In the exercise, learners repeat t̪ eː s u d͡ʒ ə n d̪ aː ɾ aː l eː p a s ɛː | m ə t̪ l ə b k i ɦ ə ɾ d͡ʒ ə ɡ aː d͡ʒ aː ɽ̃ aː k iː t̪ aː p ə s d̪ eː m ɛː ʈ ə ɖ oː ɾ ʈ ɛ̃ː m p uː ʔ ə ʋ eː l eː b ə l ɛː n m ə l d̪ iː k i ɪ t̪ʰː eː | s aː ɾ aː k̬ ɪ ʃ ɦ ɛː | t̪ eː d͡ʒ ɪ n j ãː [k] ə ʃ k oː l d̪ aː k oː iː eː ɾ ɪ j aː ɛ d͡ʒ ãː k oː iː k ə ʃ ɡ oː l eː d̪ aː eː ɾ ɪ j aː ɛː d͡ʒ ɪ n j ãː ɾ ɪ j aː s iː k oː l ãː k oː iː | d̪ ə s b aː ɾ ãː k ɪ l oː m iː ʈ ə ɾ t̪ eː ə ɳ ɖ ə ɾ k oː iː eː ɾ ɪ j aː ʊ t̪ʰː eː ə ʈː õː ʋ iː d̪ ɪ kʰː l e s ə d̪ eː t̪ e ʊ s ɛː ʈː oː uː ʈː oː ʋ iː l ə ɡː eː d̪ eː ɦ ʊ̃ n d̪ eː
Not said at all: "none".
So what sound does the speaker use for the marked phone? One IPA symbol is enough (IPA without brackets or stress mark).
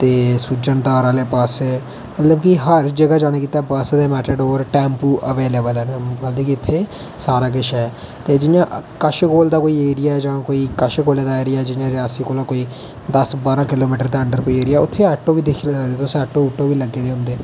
k